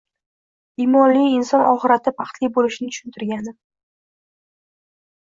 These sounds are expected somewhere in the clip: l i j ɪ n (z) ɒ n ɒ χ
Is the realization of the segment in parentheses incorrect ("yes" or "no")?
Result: yes